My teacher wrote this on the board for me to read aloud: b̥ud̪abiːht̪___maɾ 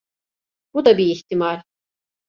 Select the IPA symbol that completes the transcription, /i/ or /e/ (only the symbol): i